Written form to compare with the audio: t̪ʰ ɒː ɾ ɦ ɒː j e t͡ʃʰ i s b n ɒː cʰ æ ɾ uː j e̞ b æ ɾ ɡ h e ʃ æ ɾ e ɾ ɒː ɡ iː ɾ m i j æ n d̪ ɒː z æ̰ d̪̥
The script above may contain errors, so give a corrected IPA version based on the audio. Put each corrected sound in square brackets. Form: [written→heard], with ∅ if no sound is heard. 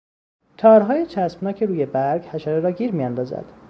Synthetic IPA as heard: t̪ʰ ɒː ɾ ɦ ɒː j e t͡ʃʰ [i→æ] s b n ɒː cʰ [æ→e] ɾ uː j e̞ b æ ɾ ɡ h [e→æ] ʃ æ ɾ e ɾ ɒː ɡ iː ɾ m i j æ n d̪ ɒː z æ̰ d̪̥